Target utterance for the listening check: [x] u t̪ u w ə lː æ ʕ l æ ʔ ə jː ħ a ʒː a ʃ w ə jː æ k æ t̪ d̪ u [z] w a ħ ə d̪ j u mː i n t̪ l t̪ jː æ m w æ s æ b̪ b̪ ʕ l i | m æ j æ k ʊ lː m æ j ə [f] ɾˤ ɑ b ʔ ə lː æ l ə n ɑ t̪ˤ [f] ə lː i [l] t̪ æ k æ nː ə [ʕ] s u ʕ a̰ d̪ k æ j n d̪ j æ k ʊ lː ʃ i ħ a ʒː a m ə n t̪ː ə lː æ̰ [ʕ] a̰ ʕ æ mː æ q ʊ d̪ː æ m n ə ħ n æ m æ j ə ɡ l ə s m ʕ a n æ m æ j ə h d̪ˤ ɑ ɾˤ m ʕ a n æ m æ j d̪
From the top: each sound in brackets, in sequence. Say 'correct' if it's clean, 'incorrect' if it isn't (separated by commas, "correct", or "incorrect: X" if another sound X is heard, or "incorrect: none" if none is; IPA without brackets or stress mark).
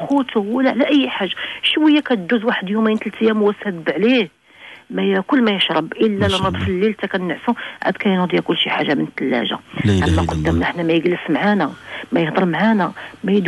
correct, correct, incorrect: ʃ, correct, correct, correct, incorrect: ʒ